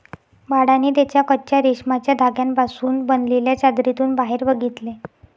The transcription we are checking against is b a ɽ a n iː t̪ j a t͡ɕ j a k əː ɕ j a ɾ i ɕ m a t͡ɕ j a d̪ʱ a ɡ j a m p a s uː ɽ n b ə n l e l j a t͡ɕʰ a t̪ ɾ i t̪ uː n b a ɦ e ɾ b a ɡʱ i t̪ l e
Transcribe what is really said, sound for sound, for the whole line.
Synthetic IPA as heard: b a ɽ a n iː t̪ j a t͡ɕ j a k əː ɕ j a ɾ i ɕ m a t͡ɕ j a d̪ʱ a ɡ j a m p a s uː n b ə n l e l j a t͡ɕ a d̪ ɾ i t̪ uː n b a ɦ e ɾ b ə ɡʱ i t̪ l e